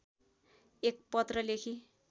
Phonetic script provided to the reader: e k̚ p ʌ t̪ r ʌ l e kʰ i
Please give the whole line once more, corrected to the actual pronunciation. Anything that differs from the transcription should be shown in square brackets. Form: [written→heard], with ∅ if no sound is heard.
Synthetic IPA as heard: e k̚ p ʌ t̪ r ʌ l e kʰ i